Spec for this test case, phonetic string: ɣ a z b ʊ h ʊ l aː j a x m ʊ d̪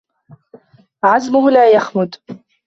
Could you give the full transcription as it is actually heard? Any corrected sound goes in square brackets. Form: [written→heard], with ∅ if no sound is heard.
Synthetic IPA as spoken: [ɣ→ʕ] a z [b→m] ʊ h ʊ l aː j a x m ʊ d̪